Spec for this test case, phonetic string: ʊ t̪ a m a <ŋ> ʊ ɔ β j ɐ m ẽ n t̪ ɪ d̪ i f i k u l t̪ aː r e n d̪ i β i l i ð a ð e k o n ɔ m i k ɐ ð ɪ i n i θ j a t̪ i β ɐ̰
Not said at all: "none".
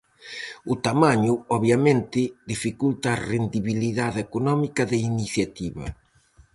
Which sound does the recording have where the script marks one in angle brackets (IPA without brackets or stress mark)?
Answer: ɲ